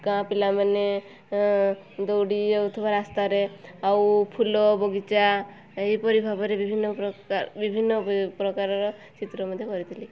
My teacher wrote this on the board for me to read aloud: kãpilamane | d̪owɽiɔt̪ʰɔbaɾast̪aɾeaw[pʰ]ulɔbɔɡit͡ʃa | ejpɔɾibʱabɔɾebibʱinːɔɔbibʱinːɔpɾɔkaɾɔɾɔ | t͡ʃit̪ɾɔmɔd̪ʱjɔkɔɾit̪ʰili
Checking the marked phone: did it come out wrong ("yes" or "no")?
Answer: no